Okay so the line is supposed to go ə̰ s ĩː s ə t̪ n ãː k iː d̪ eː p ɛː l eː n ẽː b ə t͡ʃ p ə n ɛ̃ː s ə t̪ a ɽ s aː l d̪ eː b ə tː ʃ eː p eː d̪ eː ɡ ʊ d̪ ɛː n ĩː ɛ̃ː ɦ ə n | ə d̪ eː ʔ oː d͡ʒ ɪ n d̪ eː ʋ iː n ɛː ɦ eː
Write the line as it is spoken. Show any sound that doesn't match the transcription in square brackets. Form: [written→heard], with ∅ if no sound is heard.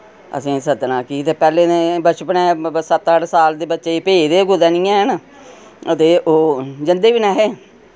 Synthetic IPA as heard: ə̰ s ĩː s ə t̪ n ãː k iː [d̪→t̪] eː p ɛː l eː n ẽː b ə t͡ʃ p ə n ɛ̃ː s ə t̪ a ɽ s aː l d̪ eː b ə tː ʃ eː p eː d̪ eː ɡ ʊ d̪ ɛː n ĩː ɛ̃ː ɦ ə n | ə [d̪→t̪] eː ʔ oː d͡ʒ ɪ n d̪ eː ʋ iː n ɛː ɦ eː